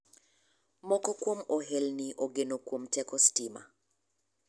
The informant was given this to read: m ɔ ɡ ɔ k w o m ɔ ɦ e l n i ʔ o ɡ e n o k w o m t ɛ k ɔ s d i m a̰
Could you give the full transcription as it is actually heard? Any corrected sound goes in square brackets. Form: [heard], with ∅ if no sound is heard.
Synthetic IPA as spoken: m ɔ [k] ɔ k w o m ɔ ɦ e l n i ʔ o ɡ e n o k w o m t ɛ k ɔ s [t] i m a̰